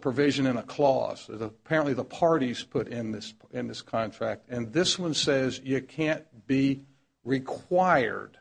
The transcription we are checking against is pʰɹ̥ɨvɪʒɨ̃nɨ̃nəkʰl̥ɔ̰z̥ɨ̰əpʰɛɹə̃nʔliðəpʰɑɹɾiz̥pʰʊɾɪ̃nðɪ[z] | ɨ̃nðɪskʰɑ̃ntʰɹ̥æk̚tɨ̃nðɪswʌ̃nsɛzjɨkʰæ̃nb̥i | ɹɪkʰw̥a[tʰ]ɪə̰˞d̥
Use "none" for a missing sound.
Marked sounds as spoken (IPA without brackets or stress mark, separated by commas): s, none